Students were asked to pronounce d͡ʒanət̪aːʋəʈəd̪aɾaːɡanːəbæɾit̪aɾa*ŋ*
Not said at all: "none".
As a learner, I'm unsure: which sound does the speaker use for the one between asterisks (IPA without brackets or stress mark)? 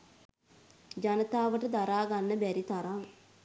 ŋ